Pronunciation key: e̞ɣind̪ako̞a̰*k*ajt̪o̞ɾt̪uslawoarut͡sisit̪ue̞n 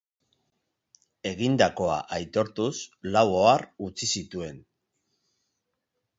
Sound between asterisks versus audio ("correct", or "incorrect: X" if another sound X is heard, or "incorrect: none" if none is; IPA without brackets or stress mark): incorrect: ʔ